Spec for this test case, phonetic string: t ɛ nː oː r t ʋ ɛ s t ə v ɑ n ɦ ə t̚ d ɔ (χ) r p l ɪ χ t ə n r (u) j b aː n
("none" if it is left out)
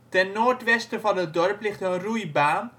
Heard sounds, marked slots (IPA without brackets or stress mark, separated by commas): none, u